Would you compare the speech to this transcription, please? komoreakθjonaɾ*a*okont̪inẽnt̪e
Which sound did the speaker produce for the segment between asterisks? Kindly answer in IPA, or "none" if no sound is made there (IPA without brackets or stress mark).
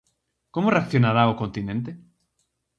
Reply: a